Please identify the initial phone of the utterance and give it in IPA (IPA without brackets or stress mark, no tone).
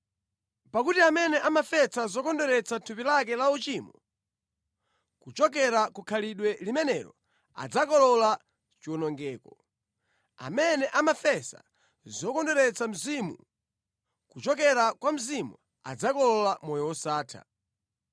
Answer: p